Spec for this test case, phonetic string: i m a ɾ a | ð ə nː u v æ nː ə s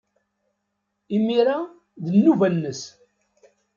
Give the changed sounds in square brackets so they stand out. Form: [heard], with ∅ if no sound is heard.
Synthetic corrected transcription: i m [i] ɾ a | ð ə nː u v æ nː ə s